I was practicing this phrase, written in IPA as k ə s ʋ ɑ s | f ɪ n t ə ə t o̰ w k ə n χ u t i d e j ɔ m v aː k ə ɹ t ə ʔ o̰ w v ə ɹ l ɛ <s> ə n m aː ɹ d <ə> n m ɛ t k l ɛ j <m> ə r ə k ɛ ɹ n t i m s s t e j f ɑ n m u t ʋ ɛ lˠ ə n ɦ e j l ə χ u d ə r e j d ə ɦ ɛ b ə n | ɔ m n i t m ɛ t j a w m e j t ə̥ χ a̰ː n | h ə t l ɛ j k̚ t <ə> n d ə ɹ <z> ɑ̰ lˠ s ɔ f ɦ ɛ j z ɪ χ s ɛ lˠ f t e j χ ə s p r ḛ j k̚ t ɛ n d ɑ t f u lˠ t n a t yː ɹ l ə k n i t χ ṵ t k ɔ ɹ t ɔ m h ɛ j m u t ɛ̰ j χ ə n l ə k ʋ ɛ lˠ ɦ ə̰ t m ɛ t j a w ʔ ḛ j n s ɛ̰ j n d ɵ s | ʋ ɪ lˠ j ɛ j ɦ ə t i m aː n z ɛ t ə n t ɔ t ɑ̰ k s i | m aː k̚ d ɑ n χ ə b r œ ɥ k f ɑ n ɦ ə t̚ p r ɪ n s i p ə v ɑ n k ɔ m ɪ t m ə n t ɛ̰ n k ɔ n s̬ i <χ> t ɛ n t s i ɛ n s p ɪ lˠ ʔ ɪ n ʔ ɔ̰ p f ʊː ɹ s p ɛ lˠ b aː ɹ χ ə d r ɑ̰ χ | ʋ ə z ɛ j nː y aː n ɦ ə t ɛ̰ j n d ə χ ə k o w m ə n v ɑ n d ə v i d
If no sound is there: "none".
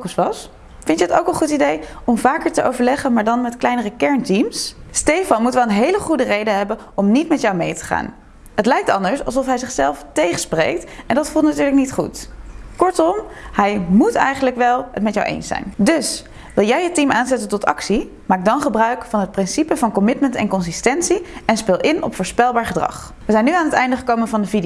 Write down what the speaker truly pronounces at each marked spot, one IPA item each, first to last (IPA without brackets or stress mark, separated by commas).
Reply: χ, ɑ, n, ɑ, s, s